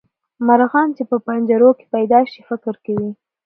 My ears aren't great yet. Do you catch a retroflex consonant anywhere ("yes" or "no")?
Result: no